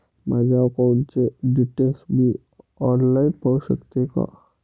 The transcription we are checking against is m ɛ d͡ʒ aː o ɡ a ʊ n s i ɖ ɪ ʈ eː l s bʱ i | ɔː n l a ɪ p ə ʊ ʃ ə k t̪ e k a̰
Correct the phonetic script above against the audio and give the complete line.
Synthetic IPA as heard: m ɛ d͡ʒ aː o k a ʊ n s e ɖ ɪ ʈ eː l s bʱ i | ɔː n l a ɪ p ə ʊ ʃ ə k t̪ e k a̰